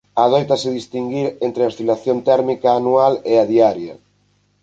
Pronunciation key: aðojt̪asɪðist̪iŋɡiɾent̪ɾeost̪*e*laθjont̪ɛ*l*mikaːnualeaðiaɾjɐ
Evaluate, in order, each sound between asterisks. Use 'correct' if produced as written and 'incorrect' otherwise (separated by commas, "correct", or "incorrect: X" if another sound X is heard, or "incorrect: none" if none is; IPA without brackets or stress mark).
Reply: incorrect: i, incorrect: ɾ